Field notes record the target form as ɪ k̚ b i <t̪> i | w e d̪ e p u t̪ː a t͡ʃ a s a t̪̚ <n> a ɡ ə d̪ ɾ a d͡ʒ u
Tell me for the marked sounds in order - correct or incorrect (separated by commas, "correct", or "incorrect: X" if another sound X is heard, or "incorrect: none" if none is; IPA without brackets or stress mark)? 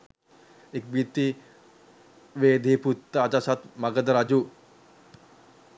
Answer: correct, incorrect: m